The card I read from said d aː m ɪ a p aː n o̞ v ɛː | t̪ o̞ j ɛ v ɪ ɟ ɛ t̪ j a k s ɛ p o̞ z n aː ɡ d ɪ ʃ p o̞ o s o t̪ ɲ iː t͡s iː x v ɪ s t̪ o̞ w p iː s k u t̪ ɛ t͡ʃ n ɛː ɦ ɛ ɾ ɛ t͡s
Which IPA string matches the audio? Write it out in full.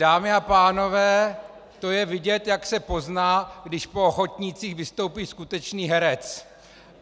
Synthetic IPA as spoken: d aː m ɪ a p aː n o̞ v ɛː | t̪ o̞ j ɛ v ɪ ɟ ɛ t̪ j a k s ɛ p o̞ z n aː ɡ d ɪ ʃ p o̞ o x o t̪ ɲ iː t͡s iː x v ɪ s t̪ o̞ w p iː s k u t̪ ɛ t͡ʃ n iː ɦ ɛ ɾ ɛ t͡s